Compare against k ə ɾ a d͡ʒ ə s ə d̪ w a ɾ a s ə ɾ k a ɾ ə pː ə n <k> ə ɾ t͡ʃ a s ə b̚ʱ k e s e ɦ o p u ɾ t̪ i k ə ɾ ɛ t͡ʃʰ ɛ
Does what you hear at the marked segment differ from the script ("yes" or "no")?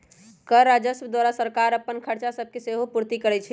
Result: yes